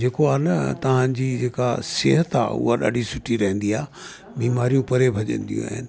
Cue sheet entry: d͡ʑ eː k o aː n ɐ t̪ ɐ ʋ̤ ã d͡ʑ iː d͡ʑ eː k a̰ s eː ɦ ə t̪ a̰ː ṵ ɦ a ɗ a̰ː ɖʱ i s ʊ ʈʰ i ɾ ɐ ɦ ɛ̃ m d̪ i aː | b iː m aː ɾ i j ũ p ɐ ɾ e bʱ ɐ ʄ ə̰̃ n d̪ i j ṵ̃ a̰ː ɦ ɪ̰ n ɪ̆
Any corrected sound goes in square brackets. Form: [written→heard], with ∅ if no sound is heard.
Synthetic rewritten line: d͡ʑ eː k o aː n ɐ t̪ ɐ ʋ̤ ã d͡ʑ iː d͡ʑ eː k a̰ s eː ɦ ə t̪ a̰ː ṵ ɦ a ɗ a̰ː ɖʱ i s ʊ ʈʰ i ɾ ɐ ɦ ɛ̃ [m→n] d̪ i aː | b iː m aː ɾ i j ũ p ɐ ɾ e bʱ ɐ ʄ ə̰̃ n d̪ i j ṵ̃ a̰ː ɦ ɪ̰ n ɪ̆